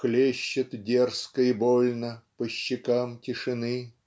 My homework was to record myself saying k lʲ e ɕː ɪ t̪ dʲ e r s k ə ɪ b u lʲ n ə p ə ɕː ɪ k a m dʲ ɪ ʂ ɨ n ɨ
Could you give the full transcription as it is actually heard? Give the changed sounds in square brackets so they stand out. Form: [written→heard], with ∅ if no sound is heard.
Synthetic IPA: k lʲ e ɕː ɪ t̪ dʲ e r s k ə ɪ b [u→o] lʲ n ə p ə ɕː ɪ k a m [dʲ→tʲ] ɪ ʂ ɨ n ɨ